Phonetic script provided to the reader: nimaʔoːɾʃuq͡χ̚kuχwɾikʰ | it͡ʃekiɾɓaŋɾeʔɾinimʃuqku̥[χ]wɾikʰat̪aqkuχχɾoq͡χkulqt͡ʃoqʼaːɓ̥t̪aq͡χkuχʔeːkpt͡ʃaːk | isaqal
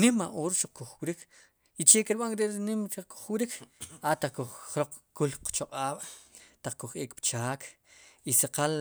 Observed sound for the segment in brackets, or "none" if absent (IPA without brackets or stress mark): χ